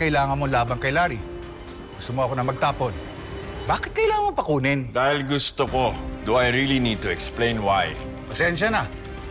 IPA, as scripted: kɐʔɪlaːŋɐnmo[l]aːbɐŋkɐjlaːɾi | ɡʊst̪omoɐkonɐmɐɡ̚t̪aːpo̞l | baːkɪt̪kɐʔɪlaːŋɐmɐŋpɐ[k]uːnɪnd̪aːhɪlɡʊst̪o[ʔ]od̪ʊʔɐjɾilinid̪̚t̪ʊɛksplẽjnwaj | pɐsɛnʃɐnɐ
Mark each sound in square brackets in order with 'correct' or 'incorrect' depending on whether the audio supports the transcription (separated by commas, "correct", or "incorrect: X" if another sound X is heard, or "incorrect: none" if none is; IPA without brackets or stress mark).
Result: correct, correct, incorrect: k